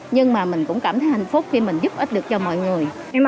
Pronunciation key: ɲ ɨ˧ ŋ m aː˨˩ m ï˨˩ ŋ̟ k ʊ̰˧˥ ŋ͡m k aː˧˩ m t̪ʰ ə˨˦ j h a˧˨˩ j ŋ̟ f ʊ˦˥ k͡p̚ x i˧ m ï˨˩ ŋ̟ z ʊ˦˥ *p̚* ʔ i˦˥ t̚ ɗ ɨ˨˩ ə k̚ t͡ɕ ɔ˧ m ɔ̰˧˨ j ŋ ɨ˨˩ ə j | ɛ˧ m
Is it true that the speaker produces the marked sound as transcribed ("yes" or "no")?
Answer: yes